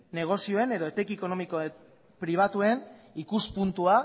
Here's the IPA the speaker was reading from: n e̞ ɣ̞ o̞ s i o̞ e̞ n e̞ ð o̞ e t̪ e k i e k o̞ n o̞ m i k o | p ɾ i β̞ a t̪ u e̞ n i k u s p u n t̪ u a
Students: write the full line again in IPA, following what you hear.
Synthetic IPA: n e̞ ɣ̞ o̞ s i o̞ e̞ n e̞ ð o̞ e t̪ e k i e k o̞ n o̞ m i k o | p ɾ i β̞ a t̪ u e̞ n i k u s p u n t̪ u a